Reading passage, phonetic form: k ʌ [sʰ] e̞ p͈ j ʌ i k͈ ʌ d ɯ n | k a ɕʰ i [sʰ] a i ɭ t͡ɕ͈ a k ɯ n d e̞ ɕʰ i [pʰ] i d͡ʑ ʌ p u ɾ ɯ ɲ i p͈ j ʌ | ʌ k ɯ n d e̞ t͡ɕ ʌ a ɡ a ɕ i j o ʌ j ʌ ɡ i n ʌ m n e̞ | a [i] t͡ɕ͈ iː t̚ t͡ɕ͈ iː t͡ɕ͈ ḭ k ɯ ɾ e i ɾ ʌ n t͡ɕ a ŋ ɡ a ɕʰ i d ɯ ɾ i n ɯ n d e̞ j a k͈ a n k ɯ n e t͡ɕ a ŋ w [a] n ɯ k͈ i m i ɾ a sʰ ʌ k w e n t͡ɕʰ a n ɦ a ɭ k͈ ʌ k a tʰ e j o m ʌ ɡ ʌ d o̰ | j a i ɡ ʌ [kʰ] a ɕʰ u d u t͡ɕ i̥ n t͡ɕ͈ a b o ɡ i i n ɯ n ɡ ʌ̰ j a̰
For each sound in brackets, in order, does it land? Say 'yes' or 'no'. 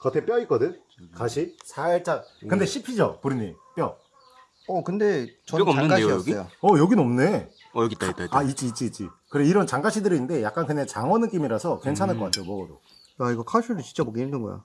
no, yes, yes, yes, no, yes

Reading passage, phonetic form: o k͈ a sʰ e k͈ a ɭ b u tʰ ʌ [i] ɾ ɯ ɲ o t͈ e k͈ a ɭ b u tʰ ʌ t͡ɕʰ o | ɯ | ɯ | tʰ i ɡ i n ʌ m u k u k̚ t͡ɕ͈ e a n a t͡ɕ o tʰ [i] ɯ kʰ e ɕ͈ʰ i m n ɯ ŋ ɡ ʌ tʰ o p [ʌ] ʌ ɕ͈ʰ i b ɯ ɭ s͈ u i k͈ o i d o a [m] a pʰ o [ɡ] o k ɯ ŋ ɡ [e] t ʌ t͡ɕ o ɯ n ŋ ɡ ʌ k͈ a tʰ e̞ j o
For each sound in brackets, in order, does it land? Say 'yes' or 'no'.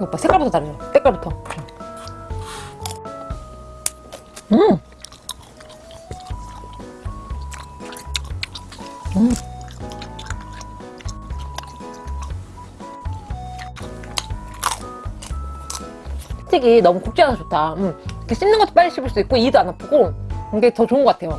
no, no, no, no, yes, yes

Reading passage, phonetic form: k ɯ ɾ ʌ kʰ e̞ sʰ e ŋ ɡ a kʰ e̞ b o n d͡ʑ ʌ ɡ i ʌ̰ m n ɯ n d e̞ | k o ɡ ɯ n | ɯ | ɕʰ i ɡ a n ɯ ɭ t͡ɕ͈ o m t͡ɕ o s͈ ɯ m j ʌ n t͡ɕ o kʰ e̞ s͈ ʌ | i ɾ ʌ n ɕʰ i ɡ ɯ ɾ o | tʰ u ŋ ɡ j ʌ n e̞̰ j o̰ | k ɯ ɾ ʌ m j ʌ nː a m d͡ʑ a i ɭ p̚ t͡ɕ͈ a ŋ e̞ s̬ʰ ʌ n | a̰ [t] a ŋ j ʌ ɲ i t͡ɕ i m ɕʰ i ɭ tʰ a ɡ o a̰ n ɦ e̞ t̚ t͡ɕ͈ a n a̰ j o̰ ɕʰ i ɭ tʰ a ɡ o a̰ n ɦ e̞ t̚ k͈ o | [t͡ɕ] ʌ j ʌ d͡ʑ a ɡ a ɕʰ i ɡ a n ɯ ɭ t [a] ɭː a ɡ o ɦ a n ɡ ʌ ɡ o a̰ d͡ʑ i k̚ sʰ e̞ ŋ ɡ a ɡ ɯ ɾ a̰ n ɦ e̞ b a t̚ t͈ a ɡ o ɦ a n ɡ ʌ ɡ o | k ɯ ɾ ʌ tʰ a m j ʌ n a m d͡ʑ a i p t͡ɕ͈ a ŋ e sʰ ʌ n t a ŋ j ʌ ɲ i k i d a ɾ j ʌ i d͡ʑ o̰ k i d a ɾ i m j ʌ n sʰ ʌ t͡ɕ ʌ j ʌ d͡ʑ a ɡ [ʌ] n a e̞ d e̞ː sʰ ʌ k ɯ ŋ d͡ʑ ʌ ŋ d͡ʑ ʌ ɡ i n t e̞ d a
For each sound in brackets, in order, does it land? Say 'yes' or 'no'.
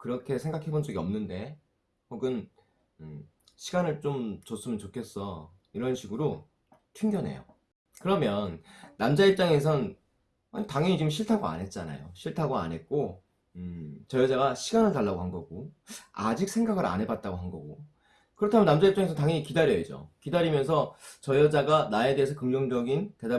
yes, yes, yes, no

